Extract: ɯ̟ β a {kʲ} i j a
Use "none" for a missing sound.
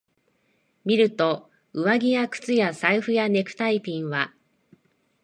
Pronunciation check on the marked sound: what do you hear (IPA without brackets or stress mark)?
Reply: ɡʲ